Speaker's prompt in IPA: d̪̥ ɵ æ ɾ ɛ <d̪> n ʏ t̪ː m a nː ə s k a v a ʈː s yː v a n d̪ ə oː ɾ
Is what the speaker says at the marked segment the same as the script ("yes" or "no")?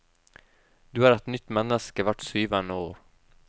no